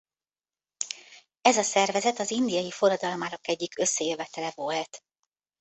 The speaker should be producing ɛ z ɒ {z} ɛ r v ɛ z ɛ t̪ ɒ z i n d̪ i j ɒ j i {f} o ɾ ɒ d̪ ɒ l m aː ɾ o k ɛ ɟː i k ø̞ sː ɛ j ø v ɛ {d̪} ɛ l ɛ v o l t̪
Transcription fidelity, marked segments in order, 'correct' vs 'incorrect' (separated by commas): incorrect, correct, incorrect